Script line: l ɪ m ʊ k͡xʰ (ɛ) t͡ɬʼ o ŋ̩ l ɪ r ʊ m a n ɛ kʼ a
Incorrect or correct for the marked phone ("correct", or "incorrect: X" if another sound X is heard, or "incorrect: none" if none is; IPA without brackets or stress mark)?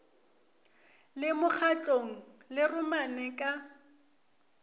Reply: incorrect: a